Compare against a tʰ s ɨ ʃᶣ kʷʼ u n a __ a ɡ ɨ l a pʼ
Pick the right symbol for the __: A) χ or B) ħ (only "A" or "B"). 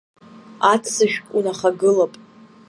A